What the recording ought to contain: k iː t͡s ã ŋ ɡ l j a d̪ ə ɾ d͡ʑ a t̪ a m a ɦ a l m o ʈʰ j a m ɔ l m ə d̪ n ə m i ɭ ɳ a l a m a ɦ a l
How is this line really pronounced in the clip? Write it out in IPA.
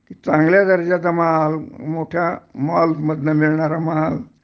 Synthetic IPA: k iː t͡s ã ŋ ɡ l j a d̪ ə ɾ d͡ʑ a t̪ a m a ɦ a l m o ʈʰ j a m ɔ l m ə d̪ n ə m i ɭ ɳ a ɾ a m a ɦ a l